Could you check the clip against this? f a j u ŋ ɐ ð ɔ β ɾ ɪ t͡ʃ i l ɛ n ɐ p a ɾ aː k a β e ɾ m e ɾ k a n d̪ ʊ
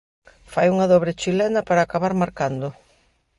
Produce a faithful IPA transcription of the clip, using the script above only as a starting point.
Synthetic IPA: f a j u ŋ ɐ ð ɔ β ɾ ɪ t͡ʃ i l ɛ n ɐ p a ɾ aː k a β a ɾ m a ɾ k a n d̪ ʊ